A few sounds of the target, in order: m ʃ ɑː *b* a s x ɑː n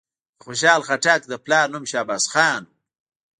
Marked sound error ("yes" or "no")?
no